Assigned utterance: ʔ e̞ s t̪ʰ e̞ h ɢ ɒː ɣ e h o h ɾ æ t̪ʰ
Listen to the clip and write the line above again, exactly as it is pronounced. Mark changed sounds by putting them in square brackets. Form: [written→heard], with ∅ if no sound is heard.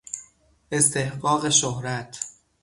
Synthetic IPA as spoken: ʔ e̞ s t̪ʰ e̞ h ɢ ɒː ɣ e [h→ʃ] o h ɾ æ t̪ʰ